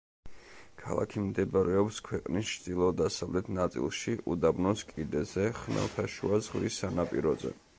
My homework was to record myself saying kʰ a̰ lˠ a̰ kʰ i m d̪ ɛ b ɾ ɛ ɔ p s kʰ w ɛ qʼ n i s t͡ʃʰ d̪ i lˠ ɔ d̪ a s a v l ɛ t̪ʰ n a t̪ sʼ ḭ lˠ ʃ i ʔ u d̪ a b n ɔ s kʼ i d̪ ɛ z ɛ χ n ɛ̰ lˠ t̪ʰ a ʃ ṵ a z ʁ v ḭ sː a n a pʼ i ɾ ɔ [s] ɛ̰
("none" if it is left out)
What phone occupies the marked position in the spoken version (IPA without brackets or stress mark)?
z